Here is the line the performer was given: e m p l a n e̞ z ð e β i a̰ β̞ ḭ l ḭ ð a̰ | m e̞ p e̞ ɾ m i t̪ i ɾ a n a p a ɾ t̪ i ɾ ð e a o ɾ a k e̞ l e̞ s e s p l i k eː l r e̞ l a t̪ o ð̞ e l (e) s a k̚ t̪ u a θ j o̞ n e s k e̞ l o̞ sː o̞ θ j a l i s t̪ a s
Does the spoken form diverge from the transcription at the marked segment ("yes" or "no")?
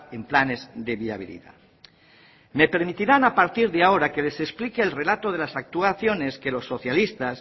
yes